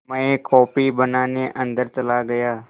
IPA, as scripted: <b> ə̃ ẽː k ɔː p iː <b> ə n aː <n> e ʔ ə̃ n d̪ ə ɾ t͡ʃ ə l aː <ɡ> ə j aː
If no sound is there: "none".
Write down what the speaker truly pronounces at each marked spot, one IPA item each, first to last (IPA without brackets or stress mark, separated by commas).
m, b, n, ɡ